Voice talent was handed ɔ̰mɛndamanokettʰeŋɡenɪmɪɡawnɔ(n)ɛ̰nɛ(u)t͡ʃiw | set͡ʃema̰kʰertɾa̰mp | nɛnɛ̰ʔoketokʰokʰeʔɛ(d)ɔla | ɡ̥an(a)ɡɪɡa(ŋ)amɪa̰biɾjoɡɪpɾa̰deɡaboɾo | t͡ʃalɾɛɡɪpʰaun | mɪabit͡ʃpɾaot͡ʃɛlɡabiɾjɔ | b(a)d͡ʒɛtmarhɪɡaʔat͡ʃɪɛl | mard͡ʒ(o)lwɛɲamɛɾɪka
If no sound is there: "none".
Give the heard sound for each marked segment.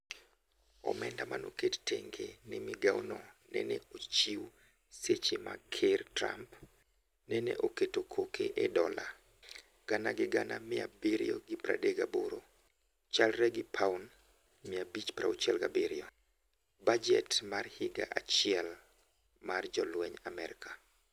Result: n, o, d, a, n, a, ɔ

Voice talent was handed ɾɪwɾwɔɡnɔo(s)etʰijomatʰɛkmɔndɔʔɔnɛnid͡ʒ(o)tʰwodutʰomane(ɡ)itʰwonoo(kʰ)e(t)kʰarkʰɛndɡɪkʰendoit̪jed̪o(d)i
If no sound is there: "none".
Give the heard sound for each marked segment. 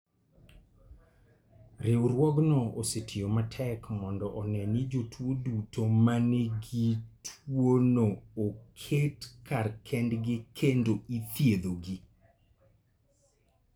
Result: s, o, ɡ, kʰ, t, ɡ

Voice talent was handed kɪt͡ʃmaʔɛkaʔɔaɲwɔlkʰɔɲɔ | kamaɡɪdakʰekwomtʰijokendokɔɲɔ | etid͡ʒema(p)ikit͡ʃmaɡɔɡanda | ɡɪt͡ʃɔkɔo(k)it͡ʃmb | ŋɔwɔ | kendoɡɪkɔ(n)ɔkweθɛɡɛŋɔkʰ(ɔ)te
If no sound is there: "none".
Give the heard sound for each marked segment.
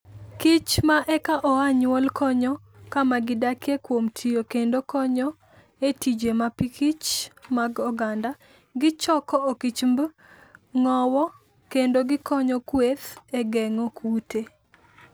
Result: p, k, ɲ, u

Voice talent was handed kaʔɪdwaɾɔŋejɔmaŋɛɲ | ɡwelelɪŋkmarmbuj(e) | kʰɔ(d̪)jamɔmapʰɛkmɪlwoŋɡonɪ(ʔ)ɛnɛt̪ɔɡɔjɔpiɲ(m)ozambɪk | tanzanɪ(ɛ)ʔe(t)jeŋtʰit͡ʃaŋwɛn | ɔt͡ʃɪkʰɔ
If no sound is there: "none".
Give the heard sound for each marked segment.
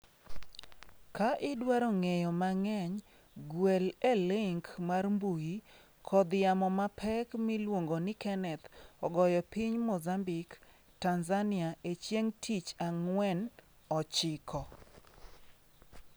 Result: i, d̪, k, m, a, t͡ʃ

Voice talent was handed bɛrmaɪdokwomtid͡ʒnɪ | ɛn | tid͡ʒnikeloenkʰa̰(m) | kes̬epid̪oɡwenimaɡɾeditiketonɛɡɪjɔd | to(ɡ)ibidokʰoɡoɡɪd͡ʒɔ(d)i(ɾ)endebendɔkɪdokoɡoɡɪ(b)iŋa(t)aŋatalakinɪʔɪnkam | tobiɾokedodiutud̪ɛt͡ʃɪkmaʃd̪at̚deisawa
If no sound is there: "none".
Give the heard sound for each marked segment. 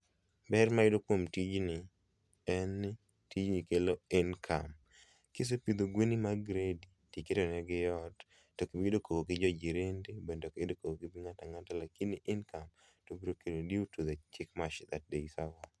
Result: m, k, d͡ʒ, ɾ, b, t

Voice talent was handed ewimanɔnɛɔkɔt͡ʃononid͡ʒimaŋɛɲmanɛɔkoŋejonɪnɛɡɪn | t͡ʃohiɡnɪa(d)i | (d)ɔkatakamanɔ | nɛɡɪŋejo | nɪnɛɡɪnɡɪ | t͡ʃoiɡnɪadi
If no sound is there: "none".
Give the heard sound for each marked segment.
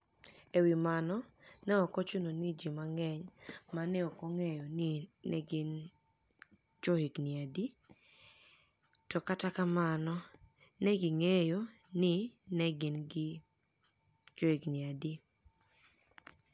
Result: d, t

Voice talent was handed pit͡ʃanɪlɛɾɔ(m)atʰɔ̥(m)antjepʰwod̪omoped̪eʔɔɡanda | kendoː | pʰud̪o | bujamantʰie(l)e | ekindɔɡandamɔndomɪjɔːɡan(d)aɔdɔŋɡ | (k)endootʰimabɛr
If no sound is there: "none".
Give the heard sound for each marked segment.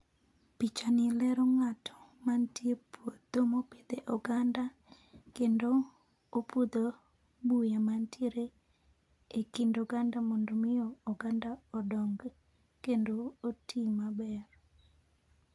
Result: ŋ, m, ɾ, d, k

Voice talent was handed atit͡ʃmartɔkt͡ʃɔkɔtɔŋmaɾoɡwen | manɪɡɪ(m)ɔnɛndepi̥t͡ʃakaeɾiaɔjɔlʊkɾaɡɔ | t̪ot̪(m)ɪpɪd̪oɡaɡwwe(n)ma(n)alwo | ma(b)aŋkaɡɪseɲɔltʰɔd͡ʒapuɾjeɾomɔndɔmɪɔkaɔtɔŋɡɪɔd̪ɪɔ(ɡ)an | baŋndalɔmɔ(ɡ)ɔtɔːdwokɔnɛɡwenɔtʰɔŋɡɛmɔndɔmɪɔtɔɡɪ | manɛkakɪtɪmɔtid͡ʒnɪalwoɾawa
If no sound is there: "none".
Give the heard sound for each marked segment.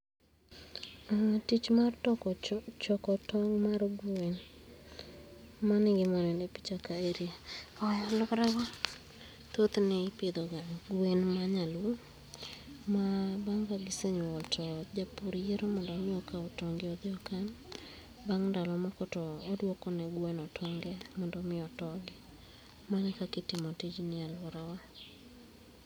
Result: m, n, n, ɲ, b, k, k

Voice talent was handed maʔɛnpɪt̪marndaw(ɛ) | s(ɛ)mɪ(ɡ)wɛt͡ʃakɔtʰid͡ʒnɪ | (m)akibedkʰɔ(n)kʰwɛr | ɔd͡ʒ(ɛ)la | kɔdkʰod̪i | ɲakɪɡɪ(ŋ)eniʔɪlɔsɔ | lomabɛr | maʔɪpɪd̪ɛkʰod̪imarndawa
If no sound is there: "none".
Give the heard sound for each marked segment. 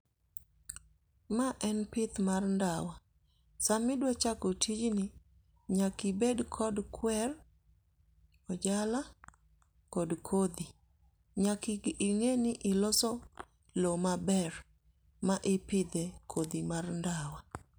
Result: a, a, d, ɲ, d, a, ŋ

